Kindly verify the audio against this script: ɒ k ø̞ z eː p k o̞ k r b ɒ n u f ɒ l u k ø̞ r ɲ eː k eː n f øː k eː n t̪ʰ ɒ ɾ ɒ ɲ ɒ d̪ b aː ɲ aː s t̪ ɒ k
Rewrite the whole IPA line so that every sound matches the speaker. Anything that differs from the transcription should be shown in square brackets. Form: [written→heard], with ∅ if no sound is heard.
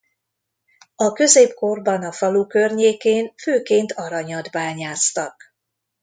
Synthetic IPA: ɒ k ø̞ z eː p k o̞ [k→∅] r b ɒ n [u→ɒ] f ɒ l u k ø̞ r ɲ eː k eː n f øː k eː n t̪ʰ ɒ ɾ ɒ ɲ ɒ d̪ b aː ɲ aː s t̪ ɒ k